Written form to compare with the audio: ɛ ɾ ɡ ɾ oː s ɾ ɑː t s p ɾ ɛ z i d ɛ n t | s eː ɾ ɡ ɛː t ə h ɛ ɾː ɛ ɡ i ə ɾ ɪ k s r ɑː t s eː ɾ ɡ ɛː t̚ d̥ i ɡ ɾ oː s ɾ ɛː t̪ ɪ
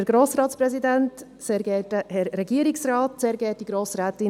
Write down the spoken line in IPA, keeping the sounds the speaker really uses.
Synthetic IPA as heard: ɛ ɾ ɡ ɾ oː s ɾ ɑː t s p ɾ ɛ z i d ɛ n t | s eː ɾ ɡ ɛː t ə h ɛ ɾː ɛ ɡ i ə ɾ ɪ k s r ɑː t s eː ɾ ɡ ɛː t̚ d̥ i ɡ ɾ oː s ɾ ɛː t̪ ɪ